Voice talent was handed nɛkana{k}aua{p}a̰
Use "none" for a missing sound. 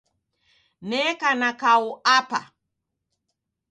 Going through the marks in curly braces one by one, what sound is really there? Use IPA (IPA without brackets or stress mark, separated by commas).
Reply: k, p